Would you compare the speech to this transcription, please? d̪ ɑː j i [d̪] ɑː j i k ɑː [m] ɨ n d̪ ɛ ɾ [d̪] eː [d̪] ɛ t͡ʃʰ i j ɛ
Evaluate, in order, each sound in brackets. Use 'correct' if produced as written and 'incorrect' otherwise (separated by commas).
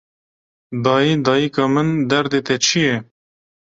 correct, correct, correct, incorrect